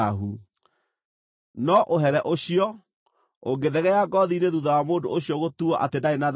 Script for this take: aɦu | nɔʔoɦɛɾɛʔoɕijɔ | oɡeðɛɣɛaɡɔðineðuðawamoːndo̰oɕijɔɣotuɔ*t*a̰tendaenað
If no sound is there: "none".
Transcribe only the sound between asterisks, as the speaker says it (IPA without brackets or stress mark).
ʔ